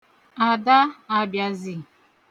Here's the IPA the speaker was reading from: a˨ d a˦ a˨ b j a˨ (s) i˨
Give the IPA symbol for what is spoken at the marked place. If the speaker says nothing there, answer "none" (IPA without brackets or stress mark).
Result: z